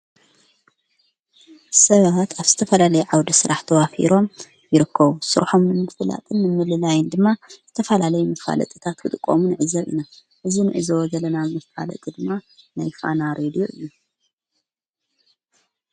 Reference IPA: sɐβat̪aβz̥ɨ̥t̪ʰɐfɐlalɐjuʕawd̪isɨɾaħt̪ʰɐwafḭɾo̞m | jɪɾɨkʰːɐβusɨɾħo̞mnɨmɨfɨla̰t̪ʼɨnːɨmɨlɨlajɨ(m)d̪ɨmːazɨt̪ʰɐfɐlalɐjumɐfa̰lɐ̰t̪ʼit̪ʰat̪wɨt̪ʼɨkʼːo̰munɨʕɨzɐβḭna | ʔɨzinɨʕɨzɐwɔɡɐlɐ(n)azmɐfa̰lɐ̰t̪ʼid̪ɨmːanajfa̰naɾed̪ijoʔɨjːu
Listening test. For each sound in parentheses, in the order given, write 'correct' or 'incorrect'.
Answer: incorrect, correct

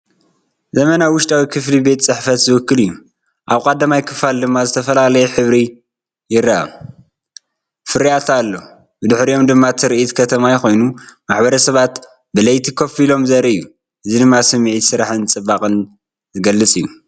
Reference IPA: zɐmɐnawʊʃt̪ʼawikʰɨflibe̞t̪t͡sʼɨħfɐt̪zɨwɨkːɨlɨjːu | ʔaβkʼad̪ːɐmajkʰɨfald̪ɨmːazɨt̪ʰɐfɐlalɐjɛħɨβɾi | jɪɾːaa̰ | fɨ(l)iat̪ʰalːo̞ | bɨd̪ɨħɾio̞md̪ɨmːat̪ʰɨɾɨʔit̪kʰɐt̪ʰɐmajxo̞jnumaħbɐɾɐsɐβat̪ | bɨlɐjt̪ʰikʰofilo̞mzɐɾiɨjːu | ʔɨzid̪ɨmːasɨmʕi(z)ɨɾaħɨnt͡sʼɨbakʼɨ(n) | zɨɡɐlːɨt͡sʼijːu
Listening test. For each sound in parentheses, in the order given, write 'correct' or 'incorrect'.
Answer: incorrect, incorrect, correct

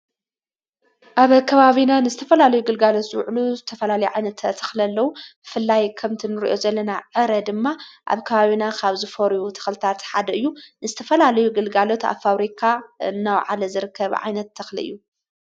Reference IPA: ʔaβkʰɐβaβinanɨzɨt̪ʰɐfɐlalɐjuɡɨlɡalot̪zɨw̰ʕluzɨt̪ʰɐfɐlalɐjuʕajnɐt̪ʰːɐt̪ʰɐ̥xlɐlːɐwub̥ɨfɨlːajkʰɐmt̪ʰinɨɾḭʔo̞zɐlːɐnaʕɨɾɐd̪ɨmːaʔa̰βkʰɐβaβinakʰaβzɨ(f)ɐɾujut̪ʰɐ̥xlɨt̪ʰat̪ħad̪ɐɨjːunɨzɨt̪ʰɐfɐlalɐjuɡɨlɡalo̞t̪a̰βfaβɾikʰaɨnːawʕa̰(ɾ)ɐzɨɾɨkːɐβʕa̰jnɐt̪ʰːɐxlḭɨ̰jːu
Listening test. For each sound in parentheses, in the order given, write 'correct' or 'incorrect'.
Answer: correct, incorrect

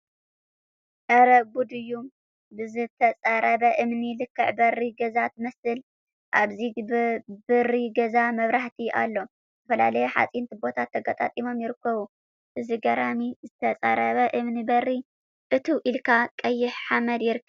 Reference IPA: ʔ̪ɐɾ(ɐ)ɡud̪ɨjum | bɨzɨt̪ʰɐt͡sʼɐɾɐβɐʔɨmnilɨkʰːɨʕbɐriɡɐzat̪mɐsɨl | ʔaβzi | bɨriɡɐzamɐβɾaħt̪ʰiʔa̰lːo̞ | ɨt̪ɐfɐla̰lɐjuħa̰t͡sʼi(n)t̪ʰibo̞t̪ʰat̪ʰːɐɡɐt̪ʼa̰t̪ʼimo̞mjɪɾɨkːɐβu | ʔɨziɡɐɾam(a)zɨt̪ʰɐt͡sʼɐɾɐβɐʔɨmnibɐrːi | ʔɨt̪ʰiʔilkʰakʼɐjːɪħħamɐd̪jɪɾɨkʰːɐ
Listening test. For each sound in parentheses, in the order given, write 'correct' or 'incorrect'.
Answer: correct, correct, incorrect

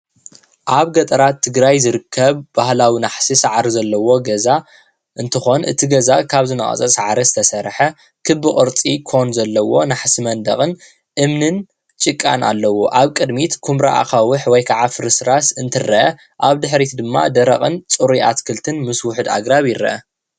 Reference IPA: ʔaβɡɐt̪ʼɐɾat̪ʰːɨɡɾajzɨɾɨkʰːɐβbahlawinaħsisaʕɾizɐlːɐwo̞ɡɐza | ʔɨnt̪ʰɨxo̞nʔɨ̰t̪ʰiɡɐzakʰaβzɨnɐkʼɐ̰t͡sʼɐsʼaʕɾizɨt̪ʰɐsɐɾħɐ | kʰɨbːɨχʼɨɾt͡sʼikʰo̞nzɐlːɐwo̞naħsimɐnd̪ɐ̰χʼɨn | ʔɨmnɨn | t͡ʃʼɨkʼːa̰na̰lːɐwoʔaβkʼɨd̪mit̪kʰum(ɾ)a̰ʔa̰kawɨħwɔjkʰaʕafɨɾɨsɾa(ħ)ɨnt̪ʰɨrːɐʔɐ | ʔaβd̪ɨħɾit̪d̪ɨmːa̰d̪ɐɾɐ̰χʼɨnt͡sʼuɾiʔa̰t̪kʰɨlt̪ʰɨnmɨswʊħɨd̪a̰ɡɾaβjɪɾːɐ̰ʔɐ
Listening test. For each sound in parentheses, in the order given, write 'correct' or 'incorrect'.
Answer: correct, incorrect

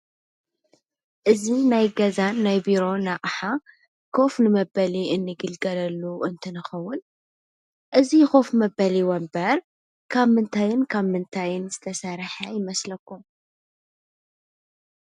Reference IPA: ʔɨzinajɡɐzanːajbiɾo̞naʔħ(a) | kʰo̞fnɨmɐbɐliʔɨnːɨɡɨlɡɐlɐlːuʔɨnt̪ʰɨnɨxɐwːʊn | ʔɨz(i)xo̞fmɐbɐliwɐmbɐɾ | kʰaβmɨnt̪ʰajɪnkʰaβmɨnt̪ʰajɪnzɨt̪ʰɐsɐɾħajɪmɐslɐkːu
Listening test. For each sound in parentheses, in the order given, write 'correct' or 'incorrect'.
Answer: correct, correct

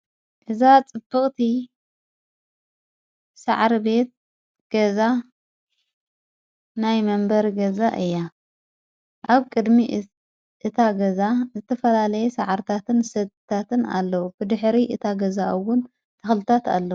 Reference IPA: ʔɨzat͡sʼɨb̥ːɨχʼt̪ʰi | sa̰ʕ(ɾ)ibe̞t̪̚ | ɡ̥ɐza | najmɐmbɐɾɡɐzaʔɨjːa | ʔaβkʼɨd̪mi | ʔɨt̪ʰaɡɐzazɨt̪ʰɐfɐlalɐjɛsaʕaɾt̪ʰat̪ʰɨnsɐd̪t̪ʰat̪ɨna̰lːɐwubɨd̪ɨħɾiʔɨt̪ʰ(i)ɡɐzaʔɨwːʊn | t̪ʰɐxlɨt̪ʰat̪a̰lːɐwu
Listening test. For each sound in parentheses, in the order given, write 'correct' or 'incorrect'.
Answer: correct, incorrect

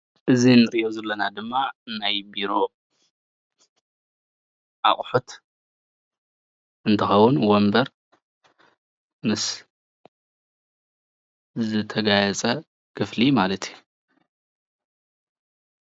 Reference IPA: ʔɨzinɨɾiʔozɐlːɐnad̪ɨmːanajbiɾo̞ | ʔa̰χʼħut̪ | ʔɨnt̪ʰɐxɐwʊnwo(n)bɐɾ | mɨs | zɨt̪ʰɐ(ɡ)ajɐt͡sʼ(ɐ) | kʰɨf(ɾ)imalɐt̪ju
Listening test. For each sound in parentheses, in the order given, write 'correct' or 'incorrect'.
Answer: incorrect, correct, correct, incorrect

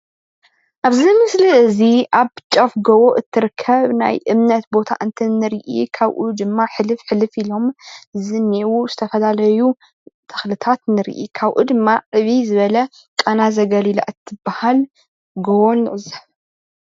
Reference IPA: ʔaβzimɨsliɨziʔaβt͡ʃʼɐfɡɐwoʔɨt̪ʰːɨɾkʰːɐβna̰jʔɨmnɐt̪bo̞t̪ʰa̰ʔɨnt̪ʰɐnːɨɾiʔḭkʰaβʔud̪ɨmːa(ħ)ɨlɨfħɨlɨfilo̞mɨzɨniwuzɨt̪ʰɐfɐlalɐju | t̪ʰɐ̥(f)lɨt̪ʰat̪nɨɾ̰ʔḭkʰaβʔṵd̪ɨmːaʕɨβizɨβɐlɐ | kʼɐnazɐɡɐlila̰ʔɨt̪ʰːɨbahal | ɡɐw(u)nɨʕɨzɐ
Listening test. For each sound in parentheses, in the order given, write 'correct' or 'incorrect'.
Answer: correct, incorrect, incorrect

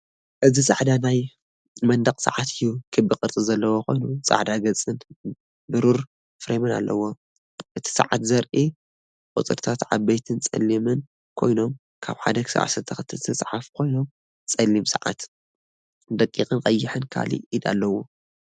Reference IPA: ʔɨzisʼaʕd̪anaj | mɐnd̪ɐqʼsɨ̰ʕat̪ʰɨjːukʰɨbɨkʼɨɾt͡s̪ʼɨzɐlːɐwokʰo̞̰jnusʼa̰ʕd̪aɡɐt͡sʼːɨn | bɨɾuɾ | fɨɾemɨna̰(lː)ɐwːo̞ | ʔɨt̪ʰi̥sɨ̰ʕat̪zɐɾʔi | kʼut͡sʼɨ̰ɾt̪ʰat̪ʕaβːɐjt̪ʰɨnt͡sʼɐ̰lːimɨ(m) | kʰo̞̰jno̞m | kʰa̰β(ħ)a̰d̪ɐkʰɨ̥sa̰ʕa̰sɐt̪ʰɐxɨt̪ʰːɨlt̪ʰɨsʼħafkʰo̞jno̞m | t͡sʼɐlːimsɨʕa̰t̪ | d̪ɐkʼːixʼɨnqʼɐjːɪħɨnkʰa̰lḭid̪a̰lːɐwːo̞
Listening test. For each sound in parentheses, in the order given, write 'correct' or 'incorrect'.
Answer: correct, incorrect, correct

